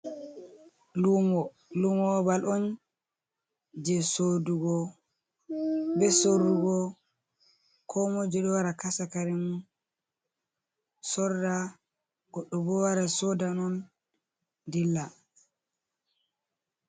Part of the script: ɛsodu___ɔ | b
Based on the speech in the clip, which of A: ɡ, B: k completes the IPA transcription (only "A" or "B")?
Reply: A